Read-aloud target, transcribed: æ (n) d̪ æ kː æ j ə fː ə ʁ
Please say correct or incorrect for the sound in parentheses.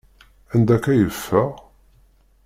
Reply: correct